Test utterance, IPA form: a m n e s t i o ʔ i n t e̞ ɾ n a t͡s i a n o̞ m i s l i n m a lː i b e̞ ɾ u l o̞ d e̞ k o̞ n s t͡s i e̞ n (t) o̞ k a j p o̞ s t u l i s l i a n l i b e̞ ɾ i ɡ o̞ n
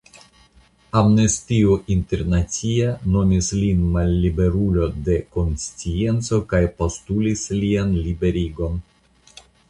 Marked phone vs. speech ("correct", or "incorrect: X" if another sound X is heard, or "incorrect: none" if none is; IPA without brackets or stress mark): incorrect: t͡s